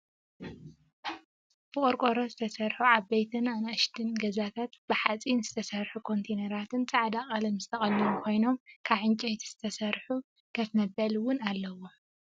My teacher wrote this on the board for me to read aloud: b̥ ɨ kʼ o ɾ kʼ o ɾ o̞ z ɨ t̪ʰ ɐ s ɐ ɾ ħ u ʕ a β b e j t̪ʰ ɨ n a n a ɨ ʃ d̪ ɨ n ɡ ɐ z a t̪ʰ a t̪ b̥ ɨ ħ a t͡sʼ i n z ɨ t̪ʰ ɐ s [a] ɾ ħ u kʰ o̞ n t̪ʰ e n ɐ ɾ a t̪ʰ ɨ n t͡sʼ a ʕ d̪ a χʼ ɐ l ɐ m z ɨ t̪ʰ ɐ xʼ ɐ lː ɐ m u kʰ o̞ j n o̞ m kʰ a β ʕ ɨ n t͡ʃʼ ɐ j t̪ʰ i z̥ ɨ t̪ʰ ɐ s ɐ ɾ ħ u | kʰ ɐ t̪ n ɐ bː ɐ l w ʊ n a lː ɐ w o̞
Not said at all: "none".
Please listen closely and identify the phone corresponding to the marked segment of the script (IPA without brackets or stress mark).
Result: ɐ